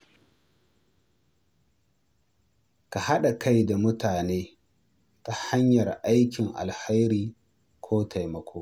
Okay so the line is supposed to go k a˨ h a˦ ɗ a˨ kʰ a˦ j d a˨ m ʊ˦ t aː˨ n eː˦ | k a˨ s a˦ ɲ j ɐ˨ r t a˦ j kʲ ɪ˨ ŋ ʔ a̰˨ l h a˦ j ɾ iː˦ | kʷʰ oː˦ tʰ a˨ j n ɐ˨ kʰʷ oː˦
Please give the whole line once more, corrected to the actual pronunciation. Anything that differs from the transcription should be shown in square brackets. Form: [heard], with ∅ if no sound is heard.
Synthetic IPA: k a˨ h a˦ ɗ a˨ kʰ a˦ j d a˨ m ʊ˦ t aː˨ n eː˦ | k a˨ [h] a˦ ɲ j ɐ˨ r [ʔ] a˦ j kʲ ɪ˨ ŋ ʔ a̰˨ l h a˦ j ɾ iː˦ | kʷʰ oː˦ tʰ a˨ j [m] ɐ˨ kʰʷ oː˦